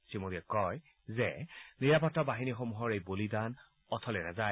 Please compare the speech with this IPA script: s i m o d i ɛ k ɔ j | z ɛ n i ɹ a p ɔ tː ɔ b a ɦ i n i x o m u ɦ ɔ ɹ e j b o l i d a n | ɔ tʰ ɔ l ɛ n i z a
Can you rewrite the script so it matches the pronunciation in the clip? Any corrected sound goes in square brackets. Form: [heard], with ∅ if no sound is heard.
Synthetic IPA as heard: s i m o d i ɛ k ɔ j | z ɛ n i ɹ a p ɔ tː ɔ b a ɦ i n i x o m u ɦ ɔ ɹ e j b o l i d a n | ɔ tʰ ɔ l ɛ n [a] z a